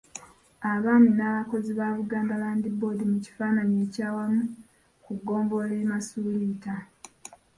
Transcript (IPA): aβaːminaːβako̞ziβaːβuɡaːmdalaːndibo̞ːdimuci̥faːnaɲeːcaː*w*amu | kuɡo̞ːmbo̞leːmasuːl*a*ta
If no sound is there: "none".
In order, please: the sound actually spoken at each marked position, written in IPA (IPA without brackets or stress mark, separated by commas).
w, i